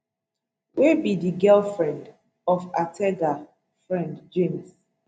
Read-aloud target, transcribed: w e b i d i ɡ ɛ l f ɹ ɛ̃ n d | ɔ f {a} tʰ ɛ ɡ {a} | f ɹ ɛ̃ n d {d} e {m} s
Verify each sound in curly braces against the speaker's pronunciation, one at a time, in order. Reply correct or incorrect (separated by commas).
correct, correct, incorrect, correct